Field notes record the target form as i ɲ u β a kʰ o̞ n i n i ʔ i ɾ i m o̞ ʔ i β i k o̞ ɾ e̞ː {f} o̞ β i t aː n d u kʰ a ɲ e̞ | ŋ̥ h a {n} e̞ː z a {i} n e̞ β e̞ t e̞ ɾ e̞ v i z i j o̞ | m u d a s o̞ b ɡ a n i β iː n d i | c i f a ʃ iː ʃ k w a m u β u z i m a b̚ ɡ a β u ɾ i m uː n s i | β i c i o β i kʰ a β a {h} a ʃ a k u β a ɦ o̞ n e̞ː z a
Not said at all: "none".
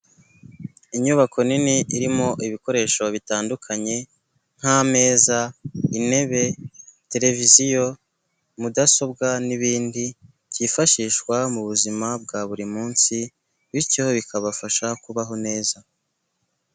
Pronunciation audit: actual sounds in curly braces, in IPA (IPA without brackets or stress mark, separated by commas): ʃ, m, i, f